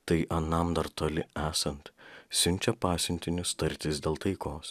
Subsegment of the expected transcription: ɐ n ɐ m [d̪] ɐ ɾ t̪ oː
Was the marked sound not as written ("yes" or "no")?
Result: no